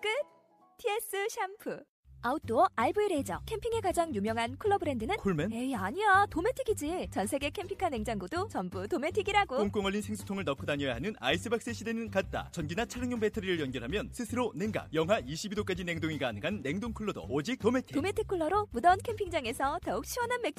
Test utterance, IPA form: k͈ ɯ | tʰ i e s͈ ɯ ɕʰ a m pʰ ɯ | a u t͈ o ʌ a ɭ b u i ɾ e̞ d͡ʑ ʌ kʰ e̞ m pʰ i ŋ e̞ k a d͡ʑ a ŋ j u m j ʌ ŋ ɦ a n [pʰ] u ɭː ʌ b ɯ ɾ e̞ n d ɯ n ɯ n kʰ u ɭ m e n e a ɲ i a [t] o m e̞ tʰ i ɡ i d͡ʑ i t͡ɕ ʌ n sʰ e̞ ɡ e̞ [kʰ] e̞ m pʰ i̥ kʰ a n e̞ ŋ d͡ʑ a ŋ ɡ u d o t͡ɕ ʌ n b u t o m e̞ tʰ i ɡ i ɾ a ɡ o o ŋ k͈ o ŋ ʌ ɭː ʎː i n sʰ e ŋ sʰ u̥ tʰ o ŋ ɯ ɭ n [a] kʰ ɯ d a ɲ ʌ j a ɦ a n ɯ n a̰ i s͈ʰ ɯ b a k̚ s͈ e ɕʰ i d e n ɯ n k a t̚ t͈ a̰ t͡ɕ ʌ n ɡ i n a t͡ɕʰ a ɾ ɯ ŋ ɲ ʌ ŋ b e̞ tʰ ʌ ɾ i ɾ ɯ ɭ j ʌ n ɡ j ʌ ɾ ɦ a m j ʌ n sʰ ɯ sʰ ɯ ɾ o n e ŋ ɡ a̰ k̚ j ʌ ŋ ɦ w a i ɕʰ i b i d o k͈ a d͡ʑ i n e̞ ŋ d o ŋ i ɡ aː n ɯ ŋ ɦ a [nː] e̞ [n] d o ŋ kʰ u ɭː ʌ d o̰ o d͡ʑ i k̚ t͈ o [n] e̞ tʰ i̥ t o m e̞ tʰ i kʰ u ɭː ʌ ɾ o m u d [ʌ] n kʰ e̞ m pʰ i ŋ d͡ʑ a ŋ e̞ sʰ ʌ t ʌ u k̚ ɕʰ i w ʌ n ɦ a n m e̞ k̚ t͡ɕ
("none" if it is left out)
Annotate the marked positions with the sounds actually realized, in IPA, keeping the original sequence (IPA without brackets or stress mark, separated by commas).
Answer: kʰ, t, kʰ, ʌ, nː, ŋ, m, ʌ